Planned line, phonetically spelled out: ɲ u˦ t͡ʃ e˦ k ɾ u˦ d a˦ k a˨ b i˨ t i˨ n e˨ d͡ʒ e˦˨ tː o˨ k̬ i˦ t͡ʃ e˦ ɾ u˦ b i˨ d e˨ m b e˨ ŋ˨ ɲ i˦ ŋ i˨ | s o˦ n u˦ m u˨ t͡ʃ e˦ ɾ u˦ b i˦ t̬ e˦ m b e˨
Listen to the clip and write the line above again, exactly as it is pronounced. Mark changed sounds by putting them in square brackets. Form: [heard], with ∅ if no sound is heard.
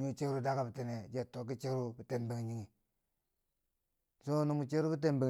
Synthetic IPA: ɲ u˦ t͡ʃ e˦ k ɾ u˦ d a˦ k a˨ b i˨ t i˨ n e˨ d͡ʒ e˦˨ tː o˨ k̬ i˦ t͡ʃ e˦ ɾ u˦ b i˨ [t] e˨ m b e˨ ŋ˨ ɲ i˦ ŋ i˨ | s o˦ n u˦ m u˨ t͡ʃ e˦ ɾ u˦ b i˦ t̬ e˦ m b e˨